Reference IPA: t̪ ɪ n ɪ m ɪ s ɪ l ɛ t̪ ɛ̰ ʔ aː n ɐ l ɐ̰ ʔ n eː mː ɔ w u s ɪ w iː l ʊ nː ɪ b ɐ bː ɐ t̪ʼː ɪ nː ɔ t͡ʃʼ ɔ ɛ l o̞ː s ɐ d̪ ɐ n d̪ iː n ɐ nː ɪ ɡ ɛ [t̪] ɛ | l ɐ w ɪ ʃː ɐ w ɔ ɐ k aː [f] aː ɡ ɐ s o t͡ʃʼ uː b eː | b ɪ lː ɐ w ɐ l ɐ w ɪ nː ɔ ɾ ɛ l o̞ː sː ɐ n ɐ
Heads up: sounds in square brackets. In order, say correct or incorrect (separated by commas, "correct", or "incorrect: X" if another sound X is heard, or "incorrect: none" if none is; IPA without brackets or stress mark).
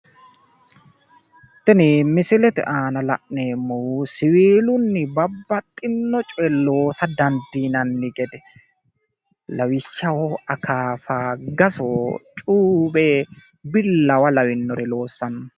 incorrect: d̪, correct